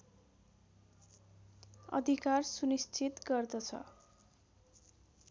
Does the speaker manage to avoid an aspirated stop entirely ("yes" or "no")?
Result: no